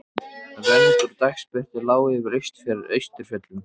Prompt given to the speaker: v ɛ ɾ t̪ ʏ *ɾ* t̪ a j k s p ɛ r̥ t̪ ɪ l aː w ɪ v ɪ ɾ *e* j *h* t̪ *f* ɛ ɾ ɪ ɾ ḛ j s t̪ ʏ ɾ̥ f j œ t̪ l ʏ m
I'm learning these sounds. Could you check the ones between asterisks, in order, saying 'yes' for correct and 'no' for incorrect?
yes, yes, no, yes

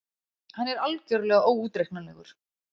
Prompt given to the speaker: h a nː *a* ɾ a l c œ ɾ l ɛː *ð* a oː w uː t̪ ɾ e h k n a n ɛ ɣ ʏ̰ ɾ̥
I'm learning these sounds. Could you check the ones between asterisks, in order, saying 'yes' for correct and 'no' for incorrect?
no, no

